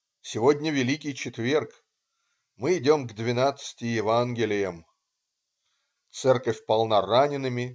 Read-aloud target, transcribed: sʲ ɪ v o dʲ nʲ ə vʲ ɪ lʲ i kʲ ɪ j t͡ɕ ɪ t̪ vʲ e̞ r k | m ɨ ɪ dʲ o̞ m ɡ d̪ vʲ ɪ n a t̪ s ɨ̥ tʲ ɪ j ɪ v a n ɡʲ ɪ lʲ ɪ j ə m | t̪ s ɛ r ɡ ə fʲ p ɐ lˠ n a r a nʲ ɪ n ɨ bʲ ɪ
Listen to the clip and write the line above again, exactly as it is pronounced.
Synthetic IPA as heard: sʲ ɪ v o dʲ nʲ ə vʲ ɪ lʲ i kʲ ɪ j t͡ɕ ɪ t̪ vʲ e̞ r k | m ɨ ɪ dʲ o̞ m ɡ d̪ vʲ ɪ n a t̪ s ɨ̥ tʲ ɪ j ɪ v a n ɡʲ ɪ lʲ ɪ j ə m | t̪ s ɛ r k ə fʲ p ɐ lˠ n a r a nʲ ɪ n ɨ mʲ ɪ